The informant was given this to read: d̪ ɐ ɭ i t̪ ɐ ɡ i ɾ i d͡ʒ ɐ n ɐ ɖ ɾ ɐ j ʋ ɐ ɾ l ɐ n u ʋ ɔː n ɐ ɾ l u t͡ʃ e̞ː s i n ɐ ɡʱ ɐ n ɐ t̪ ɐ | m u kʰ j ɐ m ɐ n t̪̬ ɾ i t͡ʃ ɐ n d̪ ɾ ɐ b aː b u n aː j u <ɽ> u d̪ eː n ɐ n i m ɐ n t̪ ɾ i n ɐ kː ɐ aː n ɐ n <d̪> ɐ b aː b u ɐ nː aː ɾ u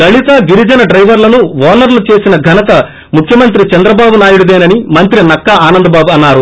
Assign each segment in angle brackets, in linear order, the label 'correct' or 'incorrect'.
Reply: correct, correct

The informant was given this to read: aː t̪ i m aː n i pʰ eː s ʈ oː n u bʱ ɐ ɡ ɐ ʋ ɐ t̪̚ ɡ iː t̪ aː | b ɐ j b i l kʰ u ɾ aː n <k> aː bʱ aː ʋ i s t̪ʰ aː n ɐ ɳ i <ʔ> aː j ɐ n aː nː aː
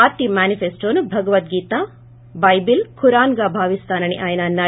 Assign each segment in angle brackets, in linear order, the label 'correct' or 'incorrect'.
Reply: incorrect: ɡ, correct

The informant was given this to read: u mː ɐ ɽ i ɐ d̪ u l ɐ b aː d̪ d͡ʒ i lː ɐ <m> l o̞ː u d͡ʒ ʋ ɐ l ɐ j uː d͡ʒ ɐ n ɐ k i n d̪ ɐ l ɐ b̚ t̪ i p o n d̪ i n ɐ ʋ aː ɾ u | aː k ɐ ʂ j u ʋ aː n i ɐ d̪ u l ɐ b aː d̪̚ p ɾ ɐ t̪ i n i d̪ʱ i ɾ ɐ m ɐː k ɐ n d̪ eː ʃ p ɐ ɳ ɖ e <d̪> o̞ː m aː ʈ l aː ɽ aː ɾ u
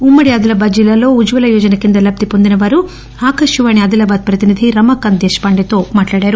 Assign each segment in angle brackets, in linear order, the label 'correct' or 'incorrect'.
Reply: incorrect: none, incorrect: t̪

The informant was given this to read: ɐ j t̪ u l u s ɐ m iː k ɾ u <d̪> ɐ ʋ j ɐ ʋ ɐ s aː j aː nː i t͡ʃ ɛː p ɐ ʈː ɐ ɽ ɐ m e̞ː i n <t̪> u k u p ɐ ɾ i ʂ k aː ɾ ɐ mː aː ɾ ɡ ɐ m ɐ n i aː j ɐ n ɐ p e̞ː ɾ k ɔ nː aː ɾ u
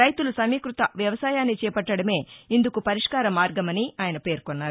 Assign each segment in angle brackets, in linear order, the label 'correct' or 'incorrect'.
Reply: incorrect: t̪, incorrect: d̪

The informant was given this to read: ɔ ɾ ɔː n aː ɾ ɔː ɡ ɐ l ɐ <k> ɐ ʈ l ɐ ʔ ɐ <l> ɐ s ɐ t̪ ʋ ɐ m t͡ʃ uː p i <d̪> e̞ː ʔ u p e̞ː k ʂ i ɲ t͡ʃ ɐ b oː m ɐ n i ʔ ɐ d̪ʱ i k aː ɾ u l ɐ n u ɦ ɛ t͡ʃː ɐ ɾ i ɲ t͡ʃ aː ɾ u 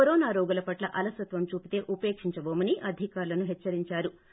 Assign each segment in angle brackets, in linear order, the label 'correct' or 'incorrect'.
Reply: incorrect: p, correct, incorrect: t̪

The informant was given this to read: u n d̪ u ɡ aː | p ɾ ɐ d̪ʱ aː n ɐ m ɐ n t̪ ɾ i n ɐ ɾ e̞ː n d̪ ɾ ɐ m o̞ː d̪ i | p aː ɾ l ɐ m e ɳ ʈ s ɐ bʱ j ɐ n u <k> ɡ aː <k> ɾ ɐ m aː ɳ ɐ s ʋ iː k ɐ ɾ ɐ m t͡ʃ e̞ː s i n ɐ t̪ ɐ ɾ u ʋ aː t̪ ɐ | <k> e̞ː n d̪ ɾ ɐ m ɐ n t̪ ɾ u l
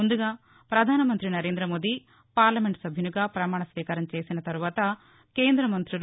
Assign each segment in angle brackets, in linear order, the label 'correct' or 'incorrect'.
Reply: incorrect: none, incorrect: p, correct

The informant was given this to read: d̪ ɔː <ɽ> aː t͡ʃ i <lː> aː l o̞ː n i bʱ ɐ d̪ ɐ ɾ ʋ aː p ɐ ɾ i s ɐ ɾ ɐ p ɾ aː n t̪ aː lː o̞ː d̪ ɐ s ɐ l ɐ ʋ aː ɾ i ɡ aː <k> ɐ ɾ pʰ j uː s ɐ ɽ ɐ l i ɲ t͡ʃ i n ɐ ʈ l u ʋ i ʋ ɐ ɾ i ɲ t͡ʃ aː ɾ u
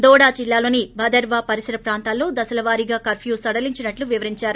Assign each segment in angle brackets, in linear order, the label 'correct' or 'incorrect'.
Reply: correct, correct, correct

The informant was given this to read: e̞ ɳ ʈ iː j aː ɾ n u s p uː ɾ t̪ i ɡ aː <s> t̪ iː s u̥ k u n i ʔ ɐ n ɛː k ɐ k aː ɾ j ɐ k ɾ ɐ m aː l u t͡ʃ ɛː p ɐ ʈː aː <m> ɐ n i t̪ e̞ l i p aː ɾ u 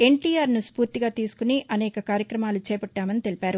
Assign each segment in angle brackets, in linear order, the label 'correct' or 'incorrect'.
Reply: incorrect: none, correct

